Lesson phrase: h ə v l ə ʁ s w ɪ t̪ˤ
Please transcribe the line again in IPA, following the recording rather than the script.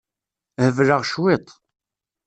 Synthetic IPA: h ə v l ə ʁ ʃ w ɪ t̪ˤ